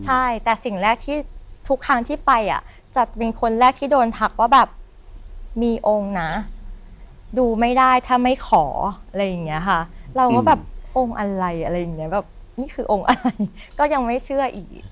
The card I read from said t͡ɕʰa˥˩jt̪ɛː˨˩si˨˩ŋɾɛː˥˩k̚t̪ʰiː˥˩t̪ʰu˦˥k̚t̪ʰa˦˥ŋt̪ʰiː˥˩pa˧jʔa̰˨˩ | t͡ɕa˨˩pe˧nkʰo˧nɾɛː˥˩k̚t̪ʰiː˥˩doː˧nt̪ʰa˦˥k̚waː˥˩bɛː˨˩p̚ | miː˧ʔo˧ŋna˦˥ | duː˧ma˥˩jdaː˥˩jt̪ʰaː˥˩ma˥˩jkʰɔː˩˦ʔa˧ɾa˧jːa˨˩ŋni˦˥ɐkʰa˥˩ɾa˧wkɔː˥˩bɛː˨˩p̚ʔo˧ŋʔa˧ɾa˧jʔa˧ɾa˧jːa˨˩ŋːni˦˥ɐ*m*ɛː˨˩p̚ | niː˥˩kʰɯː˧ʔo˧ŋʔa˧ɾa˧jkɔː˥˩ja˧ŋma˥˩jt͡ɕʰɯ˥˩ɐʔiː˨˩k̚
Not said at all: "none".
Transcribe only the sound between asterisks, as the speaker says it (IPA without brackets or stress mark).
b